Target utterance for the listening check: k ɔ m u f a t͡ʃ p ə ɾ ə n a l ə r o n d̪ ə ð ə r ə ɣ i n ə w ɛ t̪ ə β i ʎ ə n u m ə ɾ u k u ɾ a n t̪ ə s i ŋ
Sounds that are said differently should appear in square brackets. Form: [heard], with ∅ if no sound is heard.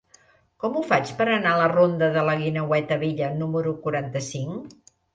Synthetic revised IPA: k ɔ m u f a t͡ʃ p ə ɾ ə n a l ə r o n d̪ ə ð ə [l] ə ɣ i n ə w ɛ t̪ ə β i ʎ ə n u m ə ɾ u k u ɾ a n t̪ ə s i ŋ